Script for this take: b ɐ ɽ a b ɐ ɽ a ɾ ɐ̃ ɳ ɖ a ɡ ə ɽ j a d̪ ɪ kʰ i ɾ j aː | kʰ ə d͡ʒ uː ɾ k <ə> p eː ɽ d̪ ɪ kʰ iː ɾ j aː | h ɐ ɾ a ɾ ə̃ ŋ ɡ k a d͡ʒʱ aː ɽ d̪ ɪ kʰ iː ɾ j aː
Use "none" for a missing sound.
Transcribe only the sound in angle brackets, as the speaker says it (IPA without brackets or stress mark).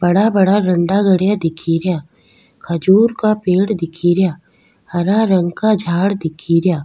a